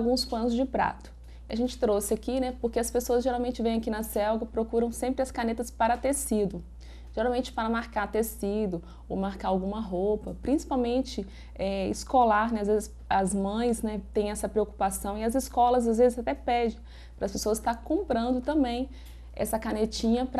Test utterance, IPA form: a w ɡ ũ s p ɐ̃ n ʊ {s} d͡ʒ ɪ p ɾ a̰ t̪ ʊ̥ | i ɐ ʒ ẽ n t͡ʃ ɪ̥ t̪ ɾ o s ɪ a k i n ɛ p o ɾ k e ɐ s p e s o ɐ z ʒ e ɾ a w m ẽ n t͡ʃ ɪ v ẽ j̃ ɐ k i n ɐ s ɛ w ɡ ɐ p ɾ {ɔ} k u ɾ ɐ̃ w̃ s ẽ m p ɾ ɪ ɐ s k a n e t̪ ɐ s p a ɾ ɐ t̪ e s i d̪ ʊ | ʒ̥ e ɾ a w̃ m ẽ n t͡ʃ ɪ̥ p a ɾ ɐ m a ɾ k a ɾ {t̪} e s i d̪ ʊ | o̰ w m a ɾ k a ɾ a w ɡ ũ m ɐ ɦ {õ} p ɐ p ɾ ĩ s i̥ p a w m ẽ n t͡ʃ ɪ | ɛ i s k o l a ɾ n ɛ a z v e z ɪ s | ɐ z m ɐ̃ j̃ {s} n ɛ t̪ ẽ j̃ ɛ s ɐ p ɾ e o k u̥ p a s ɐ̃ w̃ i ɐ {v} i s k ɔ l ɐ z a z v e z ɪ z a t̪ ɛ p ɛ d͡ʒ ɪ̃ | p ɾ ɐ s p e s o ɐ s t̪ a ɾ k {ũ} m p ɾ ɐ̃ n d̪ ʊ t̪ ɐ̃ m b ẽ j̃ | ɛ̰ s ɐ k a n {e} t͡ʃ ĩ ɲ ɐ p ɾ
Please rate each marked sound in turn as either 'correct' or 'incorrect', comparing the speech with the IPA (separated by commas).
incorrect, incorrect, correct, incorrect, correct, incorrect, incorrect, correct